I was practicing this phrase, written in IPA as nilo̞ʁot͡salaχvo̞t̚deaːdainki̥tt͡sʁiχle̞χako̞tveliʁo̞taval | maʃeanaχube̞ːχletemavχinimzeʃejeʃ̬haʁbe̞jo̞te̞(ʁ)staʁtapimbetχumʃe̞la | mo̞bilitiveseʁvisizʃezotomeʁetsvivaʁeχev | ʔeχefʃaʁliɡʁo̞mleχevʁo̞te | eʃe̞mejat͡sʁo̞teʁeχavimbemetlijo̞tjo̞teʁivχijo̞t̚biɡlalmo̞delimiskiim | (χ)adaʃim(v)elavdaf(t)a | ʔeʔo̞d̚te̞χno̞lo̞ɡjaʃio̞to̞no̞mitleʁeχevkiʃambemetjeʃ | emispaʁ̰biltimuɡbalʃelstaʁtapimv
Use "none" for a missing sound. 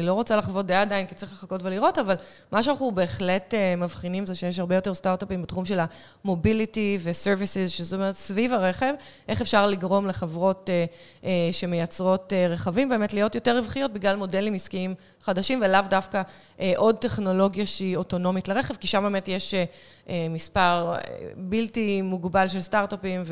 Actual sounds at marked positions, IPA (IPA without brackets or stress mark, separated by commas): ʁ, χ, v, k